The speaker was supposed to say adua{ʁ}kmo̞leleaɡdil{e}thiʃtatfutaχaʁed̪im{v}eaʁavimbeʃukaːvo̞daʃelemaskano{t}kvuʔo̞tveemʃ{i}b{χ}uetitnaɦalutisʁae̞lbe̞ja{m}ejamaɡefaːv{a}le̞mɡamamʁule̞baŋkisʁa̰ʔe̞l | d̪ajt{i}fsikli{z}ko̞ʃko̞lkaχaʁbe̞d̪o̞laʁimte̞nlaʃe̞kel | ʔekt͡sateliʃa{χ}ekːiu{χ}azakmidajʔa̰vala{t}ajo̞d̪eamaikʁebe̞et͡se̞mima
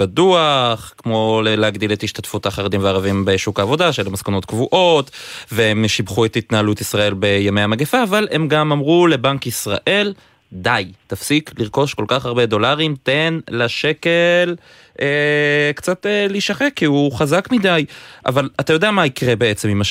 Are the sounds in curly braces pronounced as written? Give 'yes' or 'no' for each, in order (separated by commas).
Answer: no, yes, yes, yes, yes, yes, yes, yes, no, no, yes, yes, yes